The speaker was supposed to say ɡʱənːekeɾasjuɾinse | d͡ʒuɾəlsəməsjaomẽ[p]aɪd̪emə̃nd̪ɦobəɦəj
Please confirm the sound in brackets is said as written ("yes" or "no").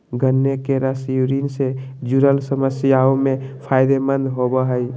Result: no